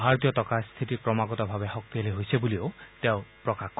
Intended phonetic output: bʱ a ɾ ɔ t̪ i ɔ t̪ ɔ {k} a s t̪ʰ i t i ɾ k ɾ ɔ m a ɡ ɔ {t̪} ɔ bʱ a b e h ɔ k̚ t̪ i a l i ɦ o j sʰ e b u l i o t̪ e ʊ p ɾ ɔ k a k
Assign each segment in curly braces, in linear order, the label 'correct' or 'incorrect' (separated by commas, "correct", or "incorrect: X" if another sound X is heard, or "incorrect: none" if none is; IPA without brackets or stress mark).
correct, correct